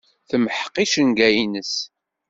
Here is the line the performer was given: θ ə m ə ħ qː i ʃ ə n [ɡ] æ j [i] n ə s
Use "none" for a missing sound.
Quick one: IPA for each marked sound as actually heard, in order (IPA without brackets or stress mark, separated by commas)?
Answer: ɡ, i